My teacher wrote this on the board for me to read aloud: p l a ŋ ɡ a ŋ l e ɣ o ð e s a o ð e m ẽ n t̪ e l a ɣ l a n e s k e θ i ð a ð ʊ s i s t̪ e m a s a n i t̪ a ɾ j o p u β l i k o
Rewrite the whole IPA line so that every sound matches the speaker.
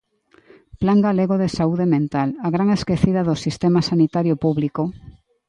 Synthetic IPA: p l a ŋ ɡ a l e ɣ o ð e s a u ð e m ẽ n t̪ a l a ɣ ɾ a ŋ e s k e θ i ð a ð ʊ s i s t̪ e m a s a n i t̪ a ɾ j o p u β l i k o